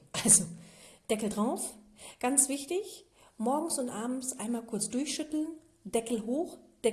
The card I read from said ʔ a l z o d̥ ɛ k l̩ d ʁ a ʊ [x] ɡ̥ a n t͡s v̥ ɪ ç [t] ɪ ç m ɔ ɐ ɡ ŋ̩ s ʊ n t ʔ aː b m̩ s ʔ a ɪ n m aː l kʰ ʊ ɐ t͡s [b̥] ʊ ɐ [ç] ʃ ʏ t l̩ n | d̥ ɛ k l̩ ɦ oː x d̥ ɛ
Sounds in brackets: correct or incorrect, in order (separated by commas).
incorrect, correct, incorrect, correct